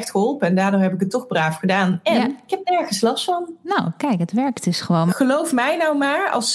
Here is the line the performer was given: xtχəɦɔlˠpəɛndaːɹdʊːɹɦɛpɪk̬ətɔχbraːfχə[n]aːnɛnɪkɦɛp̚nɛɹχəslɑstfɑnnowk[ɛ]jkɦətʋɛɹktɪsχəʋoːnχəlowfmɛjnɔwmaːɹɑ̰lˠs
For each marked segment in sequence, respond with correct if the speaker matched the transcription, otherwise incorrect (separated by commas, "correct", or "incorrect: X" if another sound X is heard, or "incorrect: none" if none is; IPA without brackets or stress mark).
incorrect: d, correct